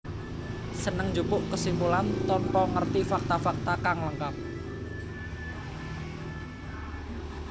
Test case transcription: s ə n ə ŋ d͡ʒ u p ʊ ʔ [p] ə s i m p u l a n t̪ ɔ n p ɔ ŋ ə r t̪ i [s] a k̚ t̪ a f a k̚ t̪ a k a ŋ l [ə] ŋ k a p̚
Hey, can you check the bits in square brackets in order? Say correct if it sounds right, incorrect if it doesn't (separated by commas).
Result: incorrect, incorrect, correct